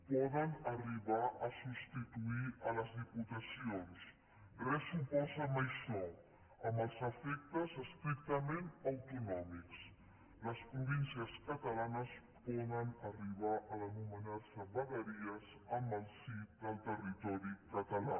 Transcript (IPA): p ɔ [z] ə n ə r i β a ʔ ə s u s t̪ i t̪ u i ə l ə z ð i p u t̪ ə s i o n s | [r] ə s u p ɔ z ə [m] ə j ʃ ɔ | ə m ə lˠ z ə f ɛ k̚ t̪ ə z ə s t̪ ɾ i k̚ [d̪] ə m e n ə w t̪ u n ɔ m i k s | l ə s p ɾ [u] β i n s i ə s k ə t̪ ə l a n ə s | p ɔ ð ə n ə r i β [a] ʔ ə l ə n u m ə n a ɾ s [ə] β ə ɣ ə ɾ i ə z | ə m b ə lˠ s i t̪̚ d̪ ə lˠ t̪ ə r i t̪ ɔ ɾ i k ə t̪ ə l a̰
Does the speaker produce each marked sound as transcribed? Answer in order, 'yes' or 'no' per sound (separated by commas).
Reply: no, yes, yes, no, yes, yes, yes